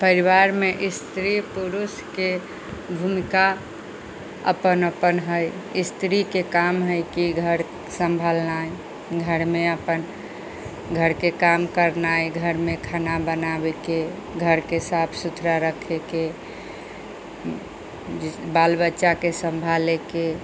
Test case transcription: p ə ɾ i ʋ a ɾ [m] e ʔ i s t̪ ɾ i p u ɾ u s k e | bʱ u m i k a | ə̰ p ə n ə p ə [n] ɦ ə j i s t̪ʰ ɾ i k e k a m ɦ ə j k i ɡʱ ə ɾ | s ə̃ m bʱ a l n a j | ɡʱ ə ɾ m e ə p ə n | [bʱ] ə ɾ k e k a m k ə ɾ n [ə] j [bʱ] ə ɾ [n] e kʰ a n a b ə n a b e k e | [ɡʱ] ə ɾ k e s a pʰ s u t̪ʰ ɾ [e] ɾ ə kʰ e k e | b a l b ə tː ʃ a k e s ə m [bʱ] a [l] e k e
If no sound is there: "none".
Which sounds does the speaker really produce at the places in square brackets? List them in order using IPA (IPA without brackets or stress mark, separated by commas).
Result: m, n, ɡʱ, a, ɡʱ, m, ɡʱ, a, bʱ, l